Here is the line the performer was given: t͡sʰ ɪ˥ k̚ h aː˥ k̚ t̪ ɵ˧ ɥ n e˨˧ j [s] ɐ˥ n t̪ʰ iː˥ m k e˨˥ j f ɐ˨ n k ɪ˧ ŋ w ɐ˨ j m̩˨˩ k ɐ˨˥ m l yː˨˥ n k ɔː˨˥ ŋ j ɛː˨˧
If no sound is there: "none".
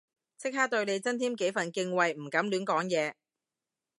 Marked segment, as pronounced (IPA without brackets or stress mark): t͡s